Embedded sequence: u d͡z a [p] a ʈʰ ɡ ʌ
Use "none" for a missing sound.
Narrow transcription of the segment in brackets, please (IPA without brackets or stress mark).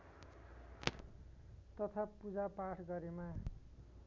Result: p